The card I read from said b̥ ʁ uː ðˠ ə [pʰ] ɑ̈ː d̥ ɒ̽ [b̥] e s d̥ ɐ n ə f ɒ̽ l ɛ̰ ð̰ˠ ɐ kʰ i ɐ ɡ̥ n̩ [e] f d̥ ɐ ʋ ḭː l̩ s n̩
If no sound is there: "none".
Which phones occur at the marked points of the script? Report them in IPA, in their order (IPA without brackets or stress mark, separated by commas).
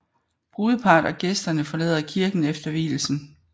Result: pʰ, ɡ̥, e